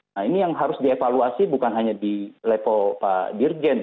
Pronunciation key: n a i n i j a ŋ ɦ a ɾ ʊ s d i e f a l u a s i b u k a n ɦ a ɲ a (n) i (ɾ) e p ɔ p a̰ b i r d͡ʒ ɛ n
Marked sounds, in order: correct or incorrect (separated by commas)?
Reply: incorrect, incorrect